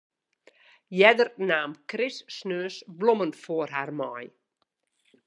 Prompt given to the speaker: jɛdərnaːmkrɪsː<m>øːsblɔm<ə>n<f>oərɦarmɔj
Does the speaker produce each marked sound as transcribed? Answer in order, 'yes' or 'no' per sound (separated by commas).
no, yes, yes